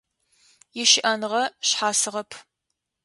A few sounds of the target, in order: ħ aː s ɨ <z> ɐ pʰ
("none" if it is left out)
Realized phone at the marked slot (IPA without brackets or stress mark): ʁ